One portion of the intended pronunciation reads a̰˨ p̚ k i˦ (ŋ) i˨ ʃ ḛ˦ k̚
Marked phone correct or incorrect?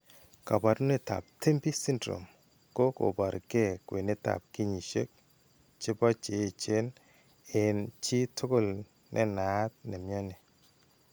incorrect